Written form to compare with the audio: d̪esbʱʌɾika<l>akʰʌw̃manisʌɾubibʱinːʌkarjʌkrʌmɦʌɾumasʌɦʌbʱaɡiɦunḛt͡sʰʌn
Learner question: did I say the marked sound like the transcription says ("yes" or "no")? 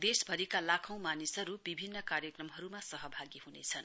yes